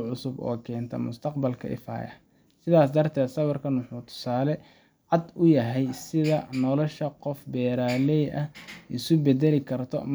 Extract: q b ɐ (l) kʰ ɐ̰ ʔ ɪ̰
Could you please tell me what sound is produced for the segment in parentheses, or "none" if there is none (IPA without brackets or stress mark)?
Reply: l